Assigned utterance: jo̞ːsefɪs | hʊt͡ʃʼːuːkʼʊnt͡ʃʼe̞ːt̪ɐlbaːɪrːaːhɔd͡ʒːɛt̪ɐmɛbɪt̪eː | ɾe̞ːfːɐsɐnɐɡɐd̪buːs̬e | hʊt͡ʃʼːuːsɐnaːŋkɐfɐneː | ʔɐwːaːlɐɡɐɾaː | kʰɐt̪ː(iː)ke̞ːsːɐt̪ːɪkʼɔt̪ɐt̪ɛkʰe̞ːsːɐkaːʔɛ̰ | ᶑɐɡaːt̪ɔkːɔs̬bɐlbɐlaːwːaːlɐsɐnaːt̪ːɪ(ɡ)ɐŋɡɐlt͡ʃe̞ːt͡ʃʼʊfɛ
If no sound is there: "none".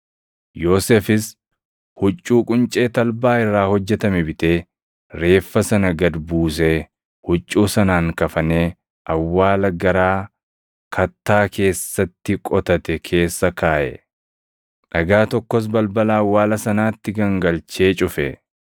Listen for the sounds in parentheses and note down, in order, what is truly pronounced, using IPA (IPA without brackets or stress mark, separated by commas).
aː, ɡ